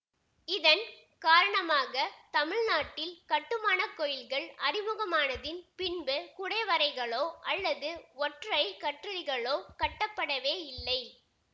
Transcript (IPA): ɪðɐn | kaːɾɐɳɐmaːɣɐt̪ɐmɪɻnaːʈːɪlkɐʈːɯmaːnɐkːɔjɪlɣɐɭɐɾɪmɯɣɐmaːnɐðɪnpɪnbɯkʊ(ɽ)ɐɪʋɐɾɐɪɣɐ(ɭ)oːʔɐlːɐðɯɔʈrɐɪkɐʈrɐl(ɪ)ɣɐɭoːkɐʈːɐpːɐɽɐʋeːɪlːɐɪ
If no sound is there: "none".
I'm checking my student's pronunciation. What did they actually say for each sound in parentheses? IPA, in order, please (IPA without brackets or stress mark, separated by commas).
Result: ɽ, ɭ, ɪ